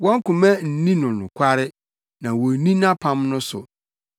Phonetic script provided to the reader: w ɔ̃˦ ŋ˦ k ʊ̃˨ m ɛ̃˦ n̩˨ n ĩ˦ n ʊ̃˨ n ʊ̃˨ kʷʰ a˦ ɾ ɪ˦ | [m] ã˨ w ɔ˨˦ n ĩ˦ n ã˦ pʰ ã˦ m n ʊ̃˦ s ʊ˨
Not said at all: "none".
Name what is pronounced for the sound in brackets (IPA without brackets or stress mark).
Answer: n